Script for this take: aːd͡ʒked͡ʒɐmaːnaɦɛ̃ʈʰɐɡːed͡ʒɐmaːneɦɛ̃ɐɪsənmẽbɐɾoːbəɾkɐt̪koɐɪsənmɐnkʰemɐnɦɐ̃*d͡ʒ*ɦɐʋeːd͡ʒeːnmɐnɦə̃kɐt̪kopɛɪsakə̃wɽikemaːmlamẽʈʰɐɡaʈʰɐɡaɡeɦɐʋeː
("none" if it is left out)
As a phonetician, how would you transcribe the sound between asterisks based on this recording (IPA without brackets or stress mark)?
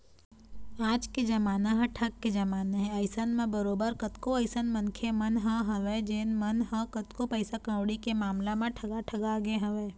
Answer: none